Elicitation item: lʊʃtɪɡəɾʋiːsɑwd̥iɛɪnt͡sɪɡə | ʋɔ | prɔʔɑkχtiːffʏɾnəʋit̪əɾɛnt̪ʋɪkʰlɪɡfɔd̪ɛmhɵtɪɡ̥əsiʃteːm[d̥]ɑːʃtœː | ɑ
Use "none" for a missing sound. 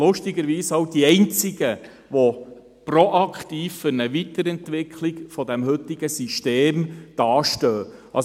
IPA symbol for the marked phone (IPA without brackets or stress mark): d̥